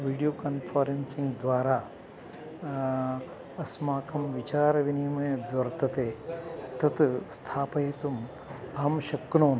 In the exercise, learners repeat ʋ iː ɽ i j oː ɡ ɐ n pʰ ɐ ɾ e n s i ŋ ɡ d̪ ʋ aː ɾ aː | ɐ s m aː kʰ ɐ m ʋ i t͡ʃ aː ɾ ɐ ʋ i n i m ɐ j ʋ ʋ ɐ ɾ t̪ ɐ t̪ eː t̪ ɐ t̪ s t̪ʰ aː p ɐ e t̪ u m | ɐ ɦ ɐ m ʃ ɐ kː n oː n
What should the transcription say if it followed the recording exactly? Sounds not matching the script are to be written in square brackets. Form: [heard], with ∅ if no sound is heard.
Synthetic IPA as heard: ʋ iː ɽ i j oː [k] ɐ n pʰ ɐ ɾ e n s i ŋ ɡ d̪ ʋ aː ɾ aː | ɐ s m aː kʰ ɐ m ʋ i t͡ʃ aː ɾ ɐ ʋ i n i m ɐ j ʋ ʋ ɐ ɾ t̪ ɐ t̪ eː t̪ ɐ t̪ s t̪ʰ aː p ɐ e t̪ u m | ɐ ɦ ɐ m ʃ ɐ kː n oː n